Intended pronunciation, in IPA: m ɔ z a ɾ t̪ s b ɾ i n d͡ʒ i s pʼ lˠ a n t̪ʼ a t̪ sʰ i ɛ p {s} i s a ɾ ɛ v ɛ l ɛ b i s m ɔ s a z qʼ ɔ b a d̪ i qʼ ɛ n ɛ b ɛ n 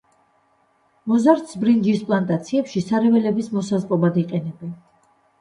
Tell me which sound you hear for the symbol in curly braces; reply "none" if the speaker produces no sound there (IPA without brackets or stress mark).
ʃ